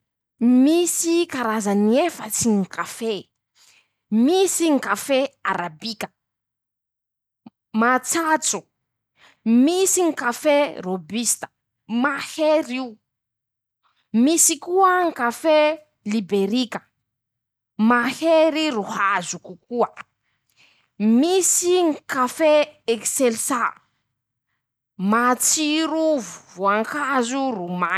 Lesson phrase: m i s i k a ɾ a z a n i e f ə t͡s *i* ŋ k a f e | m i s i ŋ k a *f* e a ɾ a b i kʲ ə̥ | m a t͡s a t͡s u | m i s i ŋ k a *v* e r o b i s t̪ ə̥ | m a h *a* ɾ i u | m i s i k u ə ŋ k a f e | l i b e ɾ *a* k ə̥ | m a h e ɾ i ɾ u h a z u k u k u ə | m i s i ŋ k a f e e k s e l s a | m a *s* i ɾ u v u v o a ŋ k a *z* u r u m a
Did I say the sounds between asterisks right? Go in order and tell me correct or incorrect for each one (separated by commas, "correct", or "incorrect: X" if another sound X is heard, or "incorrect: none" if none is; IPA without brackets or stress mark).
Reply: correct, correct, incorrect: f, incorrect: e, incorrect: i, incorrect: t͡s, correct